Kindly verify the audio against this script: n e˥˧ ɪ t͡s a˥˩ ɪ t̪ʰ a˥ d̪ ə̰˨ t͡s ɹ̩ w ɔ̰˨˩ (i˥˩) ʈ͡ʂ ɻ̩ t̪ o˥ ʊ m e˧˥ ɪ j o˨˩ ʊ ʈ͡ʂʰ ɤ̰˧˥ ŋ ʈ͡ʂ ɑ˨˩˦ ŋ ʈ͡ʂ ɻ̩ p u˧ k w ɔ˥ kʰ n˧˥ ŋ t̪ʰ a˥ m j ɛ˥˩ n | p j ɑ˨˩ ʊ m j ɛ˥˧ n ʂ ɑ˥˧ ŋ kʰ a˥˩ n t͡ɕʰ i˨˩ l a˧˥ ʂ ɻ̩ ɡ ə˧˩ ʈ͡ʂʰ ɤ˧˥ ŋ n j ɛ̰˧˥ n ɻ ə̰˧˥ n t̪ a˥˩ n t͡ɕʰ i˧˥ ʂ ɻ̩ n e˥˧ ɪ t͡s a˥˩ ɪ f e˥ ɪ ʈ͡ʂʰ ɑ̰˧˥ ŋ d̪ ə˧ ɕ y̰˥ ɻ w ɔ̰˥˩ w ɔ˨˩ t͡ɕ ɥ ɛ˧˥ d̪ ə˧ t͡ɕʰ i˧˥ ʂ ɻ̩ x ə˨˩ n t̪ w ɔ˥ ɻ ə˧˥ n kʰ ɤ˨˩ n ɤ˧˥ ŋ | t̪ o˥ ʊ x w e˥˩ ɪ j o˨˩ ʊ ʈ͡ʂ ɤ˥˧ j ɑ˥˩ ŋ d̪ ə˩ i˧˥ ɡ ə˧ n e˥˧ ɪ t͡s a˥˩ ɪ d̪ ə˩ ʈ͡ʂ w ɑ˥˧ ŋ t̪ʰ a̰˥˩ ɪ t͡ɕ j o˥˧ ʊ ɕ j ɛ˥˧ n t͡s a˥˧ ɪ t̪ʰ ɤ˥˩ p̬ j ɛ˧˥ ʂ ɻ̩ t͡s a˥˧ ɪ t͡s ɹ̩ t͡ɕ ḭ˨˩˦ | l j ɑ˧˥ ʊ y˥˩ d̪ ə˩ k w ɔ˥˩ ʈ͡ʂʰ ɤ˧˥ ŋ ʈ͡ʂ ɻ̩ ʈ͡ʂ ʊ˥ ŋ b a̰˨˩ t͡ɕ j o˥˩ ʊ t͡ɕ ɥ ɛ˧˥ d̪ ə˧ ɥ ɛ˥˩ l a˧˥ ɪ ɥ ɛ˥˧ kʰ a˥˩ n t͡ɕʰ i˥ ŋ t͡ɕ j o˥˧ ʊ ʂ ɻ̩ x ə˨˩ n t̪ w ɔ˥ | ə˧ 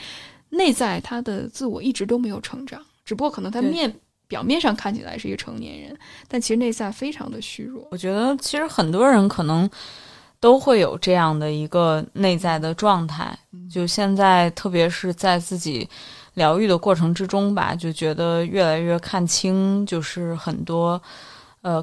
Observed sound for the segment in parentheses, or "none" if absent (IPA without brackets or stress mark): i˥˩